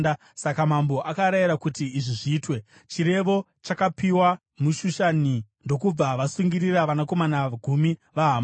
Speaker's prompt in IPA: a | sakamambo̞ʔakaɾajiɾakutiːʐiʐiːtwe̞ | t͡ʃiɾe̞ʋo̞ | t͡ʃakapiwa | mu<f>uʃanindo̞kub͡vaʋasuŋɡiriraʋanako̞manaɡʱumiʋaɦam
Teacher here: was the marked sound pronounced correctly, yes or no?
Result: no